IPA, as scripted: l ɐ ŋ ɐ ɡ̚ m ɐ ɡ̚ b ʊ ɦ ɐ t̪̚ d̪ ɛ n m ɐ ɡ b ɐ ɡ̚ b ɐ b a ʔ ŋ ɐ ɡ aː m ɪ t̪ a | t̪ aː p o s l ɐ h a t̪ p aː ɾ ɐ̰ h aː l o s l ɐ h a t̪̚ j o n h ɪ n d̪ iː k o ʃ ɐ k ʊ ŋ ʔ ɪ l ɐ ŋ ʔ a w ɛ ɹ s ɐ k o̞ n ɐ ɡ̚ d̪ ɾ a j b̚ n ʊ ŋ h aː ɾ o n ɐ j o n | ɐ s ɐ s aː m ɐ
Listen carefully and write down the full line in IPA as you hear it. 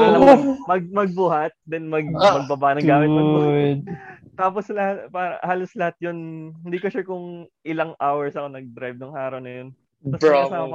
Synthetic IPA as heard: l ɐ m ɐ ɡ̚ m ɐ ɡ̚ b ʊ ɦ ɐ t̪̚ d̪ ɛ n m ɐ ɡ m ɐ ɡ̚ b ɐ b a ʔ n ɐ ɡ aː m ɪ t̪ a | t̪ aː p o s l ɐ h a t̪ p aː ɾ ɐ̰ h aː l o s l ɐ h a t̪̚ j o n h ɪ n d̪ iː k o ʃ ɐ k ʊ ŋ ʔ ɪ l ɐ ŋ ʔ a w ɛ ɹ s ɐ k o̞ n ɐ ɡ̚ d̪ ɾ a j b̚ n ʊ ŋ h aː ɾ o n ɐ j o n | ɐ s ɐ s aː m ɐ